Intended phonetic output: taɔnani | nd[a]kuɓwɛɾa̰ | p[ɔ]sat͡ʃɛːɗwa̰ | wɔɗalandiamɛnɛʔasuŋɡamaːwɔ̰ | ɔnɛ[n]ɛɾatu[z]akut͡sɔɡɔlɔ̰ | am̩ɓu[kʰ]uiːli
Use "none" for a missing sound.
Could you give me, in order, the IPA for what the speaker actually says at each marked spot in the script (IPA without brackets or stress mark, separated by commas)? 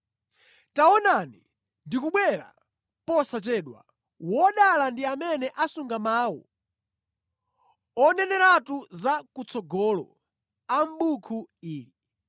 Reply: i, ɔ, n, z, kʰ